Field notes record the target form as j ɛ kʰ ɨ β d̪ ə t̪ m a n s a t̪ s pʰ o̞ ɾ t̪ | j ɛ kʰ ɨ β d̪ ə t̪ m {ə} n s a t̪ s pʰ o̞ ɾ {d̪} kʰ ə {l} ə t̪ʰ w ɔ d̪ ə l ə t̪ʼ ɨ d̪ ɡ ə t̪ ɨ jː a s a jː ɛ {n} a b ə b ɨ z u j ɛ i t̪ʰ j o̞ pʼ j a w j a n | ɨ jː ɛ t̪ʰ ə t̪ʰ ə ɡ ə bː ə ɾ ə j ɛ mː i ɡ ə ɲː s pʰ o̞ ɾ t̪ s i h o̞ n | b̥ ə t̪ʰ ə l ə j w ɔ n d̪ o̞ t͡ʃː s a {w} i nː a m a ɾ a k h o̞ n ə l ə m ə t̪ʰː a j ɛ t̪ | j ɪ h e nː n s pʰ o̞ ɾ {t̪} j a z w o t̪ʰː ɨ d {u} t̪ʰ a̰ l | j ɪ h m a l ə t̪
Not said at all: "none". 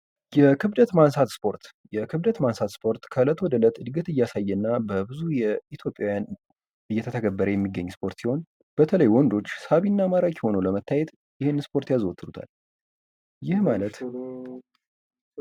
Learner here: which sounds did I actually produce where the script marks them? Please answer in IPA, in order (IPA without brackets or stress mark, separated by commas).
a, t̪, l, nː, β, t̪, u